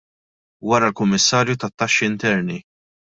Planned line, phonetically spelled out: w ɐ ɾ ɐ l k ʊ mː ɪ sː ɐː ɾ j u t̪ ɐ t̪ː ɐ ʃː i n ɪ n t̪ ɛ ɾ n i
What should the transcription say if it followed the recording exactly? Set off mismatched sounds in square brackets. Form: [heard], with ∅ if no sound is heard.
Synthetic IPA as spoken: w ɐ ɾ ɐ l k ʊ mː ɪ sː ɐː ɾ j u t̪ ɐ t̪ː ɐ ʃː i [∅] ɪ n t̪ ɛ ɾ n i

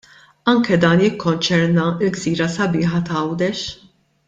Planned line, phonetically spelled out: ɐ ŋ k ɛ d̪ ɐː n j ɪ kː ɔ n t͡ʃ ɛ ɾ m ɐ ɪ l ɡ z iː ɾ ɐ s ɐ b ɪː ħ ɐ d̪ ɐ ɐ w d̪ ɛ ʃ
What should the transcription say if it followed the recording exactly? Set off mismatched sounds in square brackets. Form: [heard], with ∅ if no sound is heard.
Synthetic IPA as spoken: ɐ ŋ k ɛ d̪ ɐː n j ɪ kː ɔ n t͡ʃ ɛ ɾ [n] ɐ ɪ l ɡ z iː ɾ ɐ s ɐ b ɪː ħ ɐ [t̪] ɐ ɐ w d̪ ɛ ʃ

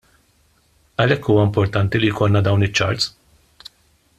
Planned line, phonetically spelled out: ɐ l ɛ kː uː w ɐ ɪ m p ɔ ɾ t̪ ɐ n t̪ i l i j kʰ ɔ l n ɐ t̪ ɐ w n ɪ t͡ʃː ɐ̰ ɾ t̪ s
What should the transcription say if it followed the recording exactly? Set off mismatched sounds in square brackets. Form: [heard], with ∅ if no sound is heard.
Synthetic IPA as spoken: ɐ l ɛ kː uː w ɐ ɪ m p ɔ ɾ t̪ ɐ n t̪ i l i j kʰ ɔ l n ɐ [d̪] ɐ w n ɪ t͡ʃː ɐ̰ ɾ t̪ s

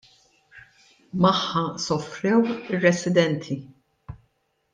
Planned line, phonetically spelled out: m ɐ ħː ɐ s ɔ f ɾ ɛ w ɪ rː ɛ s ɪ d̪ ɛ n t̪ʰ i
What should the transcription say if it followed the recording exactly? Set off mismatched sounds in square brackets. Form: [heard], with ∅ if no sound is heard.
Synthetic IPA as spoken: m ɐ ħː ɐ s ɔ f ɾ ɛ w ɪ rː ɛ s ɪ d̪ ɛ n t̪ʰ i

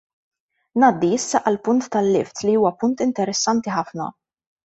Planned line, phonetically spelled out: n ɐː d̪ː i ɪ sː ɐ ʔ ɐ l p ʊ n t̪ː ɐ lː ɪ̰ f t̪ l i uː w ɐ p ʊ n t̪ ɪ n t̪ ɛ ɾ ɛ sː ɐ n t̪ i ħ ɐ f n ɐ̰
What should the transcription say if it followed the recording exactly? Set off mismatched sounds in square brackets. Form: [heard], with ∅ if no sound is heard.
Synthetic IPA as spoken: n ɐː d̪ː i ɪ sː ɐ ʔ ɐ l p ʊ n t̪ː ɐ lː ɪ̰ f t̪ l i uː w ɐ p ʊ n t̪ ɪ n t̪ ɛ ɾ ɛ sː ɐ n t̪ i ħ ɐ f n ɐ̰

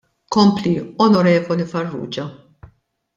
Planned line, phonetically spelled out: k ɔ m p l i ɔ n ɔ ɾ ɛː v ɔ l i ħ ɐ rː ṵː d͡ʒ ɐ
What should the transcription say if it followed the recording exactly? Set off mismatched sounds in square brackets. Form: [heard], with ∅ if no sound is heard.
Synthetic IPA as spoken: k ɔ m p l i ɔ n ɔ ɾ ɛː v ɔ l i [f] ɐ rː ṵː d͡ʒ ɐ

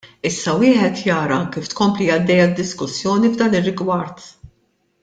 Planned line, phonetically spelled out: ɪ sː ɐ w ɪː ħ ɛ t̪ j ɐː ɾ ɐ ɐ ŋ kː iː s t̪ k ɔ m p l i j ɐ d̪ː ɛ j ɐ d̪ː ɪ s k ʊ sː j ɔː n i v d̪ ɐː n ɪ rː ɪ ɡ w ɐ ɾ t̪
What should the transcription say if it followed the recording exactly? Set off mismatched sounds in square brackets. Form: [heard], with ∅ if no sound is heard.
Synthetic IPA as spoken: ɪ sː ɐ w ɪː ħ ɛ t̪ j ɐː ɾ ɐ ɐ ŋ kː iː [f] t̪ k ɔ m p l i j ɐ d̪ː ɛ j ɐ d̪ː ɪ s k ʊ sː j ɔː n i v d̪ ɐː n ɪ rː ɪ ɡ w ɐ ɾ t̪

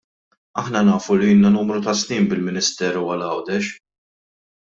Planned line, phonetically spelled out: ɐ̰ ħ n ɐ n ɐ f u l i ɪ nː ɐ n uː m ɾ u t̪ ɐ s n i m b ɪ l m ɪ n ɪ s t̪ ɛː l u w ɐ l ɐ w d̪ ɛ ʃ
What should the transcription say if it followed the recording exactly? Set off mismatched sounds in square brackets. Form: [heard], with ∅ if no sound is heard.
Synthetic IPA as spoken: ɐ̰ ħ n ɐ n [ɐː] f u l i ɪ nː ɐ n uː m ɾ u t̪ ɐ s n [iː] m b ɪ l m ɪ n ɪ s t̪ ɛː [ɾ] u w ɐ l ɐ w d̪ ɛ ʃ

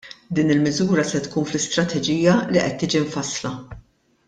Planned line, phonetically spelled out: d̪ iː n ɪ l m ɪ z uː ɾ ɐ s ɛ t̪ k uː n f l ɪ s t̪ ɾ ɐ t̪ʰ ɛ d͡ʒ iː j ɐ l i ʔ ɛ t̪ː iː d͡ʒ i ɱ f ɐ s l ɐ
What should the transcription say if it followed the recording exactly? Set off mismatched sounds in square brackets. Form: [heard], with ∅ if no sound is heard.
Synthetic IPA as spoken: d̪ iː n ɪ l m ɪ z uː ɾ ɐ s ɛ t̪ k uː n f l ɪ s t̪ ɾ ɐ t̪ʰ ɛ d͡ʒ iː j ɐ l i ʔ ɛ t̪ː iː d͡ʒ i ɱ f ɐ s l ɐ

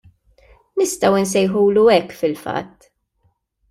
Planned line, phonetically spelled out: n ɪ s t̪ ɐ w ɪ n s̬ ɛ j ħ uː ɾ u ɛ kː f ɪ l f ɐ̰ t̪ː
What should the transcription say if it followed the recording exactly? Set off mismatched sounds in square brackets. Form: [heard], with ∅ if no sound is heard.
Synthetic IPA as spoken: n ɪ s t̪ ɐ w ɪ n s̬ ɛ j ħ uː [l] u ɛ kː f ɪ l f ɐ̰ t̪ː

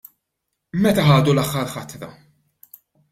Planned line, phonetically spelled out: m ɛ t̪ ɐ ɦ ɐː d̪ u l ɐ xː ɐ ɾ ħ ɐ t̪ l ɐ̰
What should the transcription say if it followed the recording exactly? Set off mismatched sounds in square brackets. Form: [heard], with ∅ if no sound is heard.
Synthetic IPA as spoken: m ɛ t̪ ɐ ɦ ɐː d̪ u l ɐ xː ɐ ɾ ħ ɐ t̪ [ɾ] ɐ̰

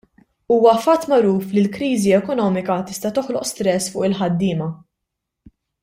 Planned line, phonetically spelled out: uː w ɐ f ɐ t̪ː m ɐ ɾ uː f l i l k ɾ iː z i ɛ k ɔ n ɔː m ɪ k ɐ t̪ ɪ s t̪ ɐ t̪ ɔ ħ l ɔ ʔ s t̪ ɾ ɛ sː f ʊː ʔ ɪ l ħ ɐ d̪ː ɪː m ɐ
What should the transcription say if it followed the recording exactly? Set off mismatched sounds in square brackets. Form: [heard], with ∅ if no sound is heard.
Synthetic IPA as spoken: uː w ɐ f ɐ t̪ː m ɐ ɾ uː f l i l k ɾ iː z i ɛ k ɔ n ɔː m ɪ k ɐ t̪ ɪ s t̪ ɐ t̪ ɔ ħ l ɔ ʔ s t̪ ɾ ɛ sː f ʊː ʔ ɪ l ħ ɐ d̪ː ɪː m ɐ

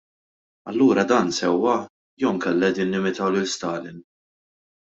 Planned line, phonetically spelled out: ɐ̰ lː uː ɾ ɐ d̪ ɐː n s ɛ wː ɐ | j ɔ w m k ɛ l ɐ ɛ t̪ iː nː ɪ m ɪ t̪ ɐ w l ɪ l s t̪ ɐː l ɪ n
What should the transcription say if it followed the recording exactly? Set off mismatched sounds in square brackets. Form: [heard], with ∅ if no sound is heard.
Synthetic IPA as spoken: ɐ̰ lː uː ɾ ɐ d̪ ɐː n s ɛ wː ɐ | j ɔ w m k ɛ [lː] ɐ ɛ [d̪] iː nː ɪ m ɪ t̪ ɐ w l ɪ l s t̪ ɐː l ɪ n

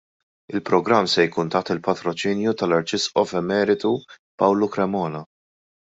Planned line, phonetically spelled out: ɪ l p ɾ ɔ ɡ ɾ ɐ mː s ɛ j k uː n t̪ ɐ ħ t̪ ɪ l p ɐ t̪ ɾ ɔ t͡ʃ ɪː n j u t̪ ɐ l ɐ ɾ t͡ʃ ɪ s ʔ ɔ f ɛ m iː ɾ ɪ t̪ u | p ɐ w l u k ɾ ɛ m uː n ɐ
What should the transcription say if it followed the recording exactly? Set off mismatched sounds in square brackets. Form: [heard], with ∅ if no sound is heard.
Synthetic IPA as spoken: ɪ l p ɾ ɔ ɡ ɾ ɐ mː s ɛ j k uː n t̪ ɐ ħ t̪ ɪ l p ɐ t̪ ɾ ɔ t͡ʃ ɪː n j u t̪ ɐ l ɐ ɾ t͡ʃ ɪ s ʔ ɔ f ɛ m [ɛː] ɾ ɪ t̪ u | p ɐ w l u k ɾ ɛ m [ɔː] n ɐ

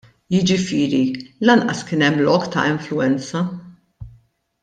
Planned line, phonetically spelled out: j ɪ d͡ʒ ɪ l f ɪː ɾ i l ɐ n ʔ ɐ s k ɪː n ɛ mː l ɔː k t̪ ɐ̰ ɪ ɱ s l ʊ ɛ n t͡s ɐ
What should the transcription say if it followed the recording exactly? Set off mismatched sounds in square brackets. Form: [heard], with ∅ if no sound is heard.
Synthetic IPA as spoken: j ɪ d͡ʒ ɪ [∅] f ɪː ɾ i l ɐ n ʔ ɐ s k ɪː n ɛ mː l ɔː k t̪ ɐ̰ ɪ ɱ [f] l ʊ ɛ n t͡s ɐ

